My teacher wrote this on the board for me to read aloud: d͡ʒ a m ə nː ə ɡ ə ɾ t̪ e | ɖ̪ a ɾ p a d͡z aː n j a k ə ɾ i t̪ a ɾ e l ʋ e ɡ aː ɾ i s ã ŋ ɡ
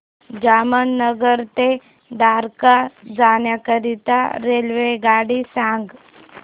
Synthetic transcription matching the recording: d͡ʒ a m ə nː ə ɡ ə ɾ t̪ e | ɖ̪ a ɾ k a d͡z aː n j a k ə ɾ i t̪ a ɾ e l ʋ e ɡ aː ɽ i s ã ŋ ɡ